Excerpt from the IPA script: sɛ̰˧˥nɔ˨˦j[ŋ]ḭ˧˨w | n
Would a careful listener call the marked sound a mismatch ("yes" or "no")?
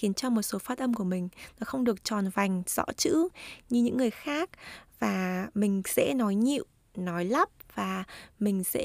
yes